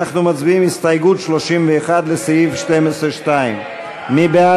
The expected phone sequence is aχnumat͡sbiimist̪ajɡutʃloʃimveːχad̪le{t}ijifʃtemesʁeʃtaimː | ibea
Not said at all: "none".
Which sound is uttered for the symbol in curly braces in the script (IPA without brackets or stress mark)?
s